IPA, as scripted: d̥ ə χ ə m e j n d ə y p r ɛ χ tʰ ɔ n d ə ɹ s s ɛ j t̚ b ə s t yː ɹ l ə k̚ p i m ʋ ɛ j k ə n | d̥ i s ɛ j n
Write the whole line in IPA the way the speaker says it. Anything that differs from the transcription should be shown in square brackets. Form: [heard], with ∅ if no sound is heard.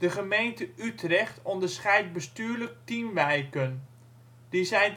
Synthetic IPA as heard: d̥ ə χ ə m e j n [t] ə y [t] r ɛ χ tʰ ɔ n d ə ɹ s [χ] ɛ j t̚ b ə s t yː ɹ l ə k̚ [t] i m ʋ ɛ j k ə n | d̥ i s ɛ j n

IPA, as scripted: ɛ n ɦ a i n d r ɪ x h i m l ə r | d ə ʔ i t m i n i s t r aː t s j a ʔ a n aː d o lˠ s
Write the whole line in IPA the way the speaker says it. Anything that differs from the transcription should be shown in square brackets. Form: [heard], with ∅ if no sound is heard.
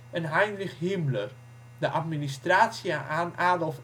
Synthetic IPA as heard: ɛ n ɦ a [j] n d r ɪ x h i m l ə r | d ə ʔ [a] t m i n i s t r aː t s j a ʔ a n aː d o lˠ [f]

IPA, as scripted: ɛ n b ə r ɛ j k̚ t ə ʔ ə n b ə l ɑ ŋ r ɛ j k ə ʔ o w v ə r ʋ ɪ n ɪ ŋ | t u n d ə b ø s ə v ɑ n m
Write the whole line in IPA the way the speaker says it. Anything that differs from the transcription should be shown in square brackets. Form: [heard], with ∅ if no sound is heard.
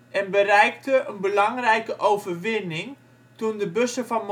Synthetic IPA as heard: ɛ n b ə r ɛ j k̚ t ə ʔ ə n b ə l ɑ ŋ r ɛ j k ə ʔ o w v ə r ʋ ɪ n ɪ ŋ | t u n d ə b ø s ə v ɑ n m

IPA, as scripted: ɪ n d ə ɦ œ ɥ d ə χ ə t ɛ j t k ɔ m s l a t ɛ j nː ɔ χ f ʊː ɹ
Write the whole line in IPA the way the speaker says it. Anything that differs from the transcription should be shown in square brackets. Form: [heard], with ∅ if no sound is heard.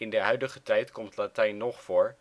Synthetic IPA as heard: ɪ n d ə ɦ œ ɥ d ə χ ə t ɛ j t k ɔ m [t] l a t ɛ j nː ɔ χ f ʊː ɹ

